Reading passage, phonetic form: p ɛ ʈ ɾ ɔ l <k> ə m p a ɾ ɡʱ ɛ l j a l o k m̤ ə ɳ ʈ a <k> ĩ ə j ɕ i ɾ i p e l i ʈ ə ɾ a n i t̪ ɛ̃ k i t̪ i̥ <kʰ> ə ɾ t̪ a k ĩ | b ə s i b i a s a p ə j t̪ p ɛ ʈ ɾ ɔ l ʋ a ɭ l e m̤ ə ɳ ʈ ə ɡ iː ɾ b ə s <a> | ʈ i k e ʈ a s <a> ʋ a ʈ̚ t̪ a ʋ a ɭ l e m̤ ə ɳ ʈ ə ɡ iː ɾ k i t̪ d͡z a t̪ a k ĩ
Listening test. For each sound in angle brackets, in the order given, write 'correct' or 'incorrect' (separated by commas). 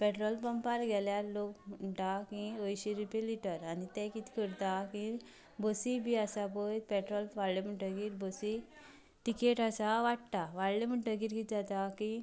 incorrect, correct, incorrect, incorrect, correct